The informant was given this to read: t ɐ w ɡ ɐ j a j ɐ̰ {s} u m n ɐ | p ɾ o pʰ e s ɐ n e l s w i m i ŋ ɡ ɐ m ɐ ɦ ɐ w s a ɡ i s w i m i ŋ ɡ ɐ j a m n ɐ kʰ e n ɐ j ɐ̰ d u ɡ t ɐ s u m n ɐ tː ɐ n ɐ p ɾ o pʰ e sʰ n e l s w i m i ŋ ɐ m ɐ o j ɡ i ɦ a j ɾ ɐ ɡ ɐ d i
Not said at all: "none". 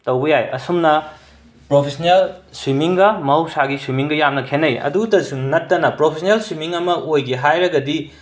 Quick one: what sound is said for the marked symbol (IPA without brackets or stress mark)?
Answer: s